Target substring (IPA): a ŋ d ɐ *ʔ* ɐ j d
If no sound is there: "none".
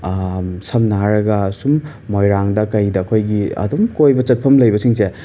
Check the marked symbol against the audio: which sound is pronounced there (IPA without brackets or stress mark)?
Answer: k